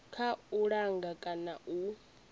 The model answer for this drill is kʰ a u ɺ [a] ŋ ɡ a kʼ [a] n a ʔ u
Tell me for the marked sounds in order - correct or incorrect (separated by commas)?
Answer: correct, correct